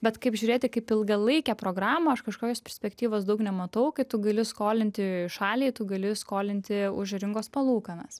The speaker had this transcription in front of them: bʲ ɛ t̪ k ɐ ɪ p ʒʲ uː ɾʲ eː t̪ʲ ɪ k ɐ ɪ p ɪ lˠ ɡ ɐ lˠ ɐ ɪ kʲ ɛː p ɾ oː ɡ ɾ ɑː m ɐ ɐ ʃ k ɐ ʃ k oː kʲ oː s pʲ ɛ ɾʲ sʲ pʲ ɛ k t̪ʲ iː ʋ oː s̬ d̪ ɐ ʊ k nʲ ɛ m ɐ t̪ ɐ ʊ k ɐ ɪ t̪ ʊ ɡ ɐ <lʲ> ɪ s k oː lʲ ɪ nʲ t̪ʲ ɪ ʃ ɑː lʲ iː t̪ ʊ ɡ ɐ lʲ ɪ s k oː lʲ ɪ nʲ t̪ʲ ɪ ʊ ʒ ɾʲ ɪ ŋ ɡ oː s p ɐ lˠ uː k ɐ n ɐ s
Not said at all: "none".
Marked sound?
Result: lʲ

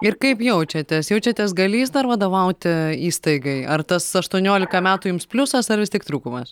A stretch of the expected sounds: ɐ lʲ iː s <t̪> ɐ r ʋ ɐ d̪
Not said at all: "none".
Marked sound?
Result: d̪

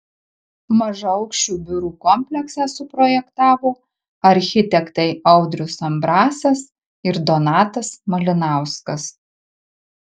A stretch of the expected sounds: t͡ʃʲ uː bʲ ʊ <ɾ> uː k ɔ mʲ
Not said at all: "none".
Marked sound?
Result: ɾ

